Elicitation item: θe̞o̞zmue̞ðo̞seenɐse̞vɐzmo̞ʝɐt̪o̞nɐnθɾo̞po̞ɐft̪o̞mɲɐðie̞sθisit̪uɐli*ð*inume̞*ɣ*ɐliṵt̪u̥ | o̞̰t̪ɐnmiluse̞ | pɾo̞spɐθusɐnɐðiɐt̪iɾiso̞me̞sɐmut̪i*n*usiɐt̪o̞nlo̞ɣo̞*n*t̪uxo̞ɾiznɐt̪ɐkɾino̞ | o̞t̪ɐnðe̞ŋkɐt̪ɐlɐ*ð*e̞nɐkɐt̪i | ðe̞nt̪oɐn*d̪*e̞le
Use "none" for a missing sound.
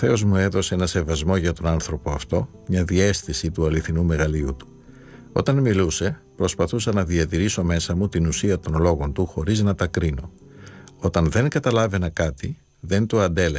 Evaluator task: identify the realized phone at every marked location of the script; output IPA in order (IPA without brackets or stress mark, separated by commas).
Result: θ, ɣ, n, n, v, d̪